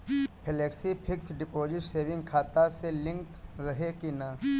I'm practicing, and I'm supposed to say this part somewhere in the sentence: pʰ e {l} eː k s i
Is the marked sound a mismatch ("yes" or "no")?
no